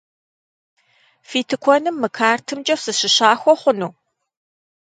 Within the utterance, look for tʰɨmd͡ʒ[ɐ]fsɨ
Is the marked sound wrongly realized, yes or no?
no